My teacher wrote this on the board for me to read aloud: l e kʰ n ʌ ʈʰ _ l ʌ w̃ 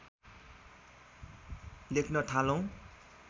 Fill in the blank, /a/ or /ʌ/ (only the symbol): a